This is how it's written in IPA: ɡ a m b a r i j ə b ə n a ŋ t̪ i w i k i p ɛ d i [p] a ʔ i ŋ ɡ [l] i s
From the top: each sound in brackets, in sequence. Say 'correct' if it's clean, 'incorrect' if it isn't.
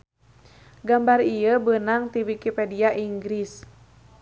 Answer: incorrect: none, incorrect: ɾ

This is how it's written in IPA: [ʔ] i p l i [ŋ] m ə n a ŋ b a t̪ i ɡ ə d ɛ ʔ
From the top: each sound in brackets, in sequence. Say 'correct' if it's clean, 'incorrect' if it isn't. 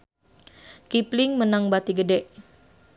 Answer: incorrect: k, correct

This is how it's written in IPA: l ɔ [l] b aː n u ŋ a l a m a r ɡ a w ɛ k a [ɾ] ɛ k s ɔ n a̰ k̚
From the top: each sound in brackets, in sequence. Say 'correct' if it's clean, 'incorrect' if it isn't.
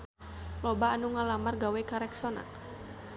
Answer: incorrect: none, correct

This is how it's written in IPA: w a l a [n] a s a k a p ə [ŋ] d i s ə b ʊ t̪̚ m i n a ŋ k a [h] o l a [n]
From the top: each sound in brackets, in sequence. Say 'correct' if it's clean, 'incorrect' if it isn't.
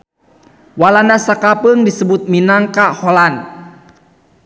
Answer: correct, correct, correct, correct

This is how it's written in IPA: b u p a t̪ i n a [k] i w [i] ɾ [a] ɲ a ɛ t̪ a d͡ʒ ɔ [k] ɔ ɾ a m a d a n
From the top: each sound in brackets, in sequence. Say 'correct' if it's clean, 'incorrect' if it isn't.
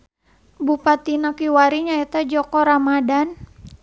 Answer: correct, incorrect: a, incorrect: i, correct

